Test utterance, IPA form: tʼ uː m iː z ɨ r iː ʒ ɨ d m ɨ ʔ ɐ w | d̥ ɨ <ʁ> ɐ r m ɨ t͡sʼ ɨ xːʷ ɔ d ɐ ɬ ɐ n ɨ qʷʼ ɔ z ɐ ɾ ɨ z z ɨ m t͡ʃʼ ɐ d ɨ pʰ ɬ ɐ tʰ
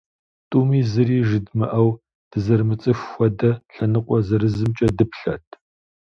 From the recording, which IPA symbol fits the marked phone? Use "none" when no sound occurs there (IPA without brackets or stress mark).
z